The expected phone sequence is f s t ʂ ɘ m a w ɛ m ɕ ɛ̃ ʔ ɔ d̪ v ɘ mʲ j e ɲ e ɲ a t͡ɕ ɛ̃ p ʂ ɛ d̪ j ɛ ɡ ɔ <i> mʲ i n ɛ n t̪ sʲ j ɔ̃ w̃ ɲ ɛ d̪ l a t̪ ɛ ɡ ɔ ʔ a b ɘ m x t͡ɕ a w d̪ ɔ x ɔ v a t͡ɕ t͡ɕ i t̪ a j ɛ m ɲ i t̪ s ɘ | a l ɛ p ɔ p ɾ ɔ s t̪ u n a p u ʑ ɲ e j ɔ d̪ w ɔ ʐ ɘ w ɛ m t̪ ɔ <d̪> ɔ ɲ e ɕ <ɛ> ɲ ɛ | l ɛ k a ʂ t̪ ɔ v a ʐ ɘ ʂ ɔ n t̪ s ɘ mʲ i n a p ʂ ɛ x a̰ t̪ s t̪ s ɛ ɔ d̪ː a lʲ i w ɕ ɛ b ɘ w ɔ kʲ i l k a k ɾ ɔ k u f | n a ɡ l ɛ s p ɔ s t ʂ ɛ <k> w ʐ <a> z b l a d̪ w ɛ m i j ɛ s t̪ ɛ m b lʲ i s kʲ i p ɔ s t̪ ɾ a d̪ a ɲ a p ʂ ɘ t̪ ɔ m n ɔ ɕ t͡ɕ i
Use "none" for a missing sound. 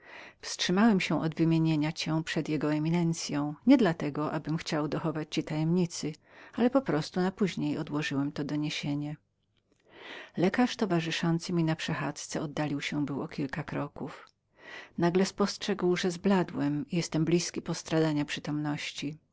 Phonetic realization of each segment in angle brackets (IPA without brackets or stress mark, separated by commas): ɛ, d̪, e, ɡ, ɛ